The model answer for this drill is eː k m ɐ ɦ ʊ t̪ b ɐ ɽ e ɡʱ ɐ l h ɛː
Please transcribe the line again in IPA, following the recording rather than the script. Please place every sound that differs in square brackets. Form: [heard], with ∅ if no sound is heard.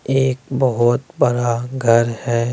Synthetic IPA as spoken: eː k [b] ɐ ɦ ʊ t̪ b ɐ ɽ [a] ɡʱ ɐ [ɾ] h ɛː